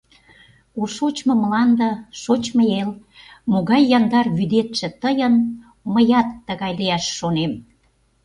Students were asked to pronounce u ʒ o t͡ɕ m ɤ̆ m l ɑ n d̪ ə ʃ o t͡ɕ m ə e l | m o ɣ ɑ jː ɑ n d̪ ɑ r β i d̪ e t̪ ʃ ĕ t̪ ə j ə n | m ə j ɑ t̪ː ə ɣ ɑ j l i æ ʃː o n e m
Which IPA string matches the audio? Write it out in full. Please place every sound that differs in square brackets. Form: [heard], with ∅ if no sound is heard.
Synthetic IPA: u [ʃ] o t͡ɕ m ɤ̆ m l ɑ n d̪ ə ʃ o t͡ɕ m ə e l | m o ɣ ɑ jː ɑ n d̪ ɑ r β [y] d̪ e t̪ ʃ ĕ t̪ ə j ə n | m ə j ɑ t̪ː ə ɣ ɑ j l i æ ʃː o n e m